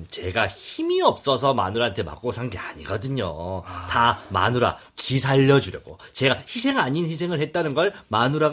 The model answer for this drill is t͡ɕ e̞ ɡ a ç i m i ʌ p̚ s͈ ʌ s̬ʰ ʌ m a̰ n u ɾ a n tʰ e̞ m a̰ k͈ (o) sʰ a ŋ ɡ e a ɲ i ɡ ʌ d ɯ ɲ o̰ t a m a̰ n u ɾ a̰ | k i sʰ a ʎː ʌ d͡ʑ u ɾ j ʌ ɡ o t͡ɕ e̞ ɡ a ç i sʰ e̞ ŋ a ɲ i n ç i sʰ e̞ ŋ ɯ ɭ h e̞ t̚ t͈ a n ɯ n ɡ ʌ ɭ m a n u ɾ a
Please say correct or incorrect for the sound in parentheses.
correct